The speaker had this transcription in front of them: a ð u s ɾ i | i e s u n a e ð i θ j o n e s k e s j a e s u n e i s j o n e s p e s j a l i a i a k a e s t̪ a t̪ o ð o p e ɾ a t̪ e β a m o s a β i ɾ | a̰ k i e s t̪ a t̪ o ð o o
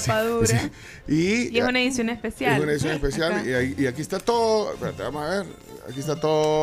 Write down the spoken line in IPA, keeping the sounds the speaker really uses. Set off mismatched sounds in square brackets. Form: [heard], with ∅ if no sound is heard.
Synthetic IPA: a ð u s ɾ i | i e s u n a e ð i [s] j o n e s [p] e s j a e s u n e i s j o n e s p e s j a l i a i a k [i] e s t̪ a t̪ o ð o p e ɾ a t̪ e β a m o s a β [e] ɾ | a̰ k i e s t̪ a t̪ o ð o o